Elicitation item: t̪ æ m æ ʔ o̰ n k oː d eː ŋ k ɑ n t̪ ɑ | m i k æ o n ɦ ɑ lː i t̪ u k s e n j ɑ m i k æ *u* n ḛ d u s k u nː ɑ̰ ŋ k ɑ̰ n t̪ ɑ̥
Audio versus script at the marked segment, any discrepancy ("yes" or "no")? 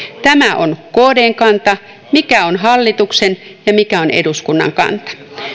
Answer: yes